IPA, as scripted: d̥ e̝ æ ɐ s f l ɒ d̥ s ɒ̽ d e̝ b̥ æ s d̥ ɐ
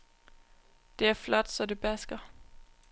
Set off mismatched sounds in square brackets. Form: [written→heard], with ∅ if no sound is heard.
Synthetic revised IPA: d̥ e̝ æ ɐ [s→∅] f l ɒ d̥ s ɒ̽ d e̝ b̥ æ s [d̥→ɡ̥] ɐ